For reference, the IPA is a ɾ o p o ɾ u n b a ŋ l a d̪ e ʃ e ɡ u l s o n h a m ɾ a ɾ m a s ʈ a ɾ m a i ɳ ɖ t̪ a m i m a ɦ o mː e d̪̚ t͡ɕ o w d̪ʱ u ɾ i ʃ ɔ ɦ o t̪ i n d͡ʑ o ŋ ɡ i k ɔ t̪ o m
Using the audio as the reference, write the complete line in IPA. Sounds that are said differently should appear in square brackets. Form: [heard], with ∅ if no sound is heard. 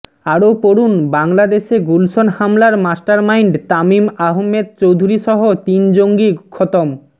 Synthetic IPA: a ɾ o p o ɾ u n b a ŋ l a d̪ e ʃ e ɡ u l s o n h a m [l] a ɾ m a s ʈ a ɾ m a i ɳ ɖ t̪ a m i m a ɦ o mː e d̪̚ t͡ɕ o w d̪ʱ u ɾ i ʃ ɔ ɦ o t̪ i n d͡ʑ o ŋ ɡ i [kʰ] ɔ t̪ o m